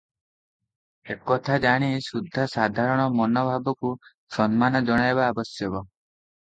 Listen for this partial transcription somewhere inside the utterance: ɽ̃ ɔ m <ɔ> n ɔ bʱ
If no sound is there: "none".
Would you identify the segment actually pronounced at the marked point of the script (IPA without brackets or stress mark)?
ɔ